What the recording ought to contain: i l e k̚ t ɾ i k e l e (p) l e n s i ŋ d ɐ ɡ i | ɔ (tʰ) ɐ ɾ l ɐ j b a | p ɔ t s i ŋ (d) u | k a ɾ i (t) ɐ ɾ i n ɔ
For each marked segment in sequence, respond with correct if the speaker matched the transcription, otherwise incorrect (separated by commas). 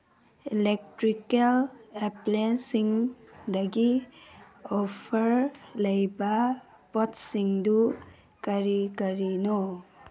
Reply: correct, incorrect, correct, incorrect